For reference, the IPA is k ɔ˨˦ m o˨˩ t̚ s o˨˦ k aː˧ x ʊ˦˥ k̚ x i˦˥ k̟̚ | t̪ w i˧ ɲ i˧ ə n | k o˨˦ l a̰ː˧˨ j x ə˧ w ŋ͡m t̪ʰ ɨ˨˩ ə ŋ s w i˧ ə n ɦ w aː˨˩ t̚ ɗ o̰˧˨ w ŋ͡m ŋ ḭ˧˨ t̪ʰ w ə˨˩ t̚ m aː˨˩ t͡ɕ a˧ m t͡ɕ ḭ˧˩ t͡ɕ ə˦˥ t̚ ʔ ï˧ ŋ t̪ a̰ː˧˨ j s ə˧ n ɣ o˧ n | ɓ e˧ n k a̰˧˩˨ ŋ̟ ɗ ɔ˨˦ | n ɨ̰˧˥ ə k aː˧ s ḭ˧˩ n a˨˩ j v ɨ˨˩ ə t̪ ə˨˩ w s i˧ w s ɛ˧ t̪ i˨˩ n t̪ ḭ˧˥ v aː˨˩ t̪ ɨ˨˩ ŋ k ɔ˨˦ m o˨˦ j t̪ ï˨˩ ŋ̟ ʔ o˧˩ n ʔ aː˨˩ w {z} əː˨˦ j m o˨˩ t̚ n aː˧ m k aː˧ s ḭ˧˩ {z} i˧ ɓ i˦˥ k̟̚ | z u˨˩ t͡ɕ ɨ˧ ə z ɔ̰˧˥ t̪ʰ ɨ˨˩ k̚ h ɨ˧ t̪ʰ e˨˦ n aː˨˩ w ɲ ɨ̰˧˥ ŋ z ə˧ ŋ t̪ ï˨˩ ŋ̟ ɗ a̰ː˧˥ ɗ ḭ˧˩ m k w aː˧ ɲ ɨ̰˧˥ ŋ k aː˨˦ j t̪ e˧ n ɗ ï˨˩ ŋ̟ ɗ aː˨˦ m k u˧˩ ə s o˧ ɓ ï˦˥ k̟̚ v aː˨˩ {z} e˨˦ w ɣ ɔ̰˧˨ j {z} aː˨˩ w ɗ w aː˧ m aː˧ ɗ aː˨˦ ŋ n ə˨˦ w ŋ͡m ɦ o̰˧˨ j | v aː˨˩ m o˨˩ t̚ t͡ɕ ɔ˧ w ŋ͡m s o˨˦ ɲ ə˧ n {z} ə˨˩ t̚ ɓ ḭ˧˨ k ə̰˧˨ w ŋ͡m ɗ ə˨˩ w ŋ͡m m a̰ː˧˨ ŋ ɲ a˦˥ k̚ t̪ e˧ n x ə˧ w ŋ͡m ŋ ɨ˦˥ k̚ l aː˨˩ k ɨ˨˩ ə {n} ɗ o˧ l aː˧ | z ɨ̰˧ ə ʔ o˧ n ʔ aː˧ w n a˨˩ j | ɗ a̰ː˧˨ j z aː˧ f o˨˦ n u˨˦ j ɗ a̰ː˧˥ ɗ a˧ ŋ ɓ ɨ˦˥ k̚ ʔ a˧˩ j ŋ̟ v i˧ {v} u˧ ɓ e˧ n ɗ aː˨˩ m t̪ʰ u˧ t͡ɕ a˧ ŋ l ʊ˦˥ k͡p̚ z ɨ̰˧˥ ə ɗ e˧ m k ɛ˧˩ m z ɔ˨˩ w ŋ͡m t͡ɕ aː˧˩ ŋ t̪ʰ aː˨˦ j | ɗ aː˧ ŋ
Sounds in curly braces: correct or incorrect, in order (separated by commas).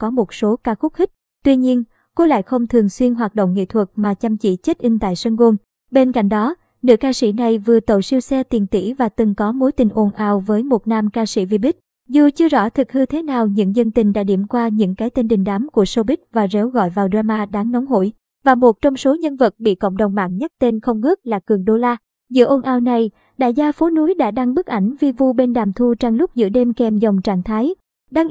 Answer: incorrect, incorrect, correct, incorrect, incorrect, incorrect, correct